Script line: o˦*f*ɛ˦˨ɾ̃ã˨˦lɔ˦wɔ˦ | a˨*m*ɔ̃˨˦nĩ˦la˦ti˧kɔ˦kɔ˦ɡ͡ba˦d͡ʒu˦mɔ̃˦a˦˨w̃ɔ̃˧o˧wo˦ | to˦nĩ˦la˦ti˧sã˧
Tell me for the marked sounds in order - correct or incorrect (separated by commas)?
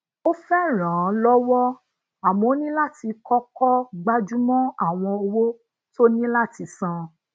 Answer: correct, correct